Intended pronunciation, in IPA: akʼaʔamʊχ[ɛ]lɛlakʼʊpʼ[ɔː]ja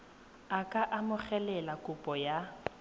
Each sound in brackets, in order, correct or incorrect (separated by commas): correct, incorrect